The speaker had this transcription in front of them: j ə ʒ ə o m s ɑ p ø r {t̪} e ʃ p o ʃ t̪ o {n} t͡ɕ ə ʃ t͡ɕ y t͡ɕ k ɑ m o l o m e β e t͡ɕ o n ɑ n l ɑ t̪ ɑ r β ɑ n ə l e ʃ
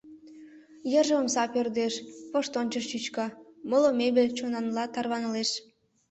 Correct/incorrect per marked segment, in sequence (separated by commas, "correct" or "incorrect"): incorrect, correct